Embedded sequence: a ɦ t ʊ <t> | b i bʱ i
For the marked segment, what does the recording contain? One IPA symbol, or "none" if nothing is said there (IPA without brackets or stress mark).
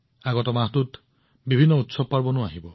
t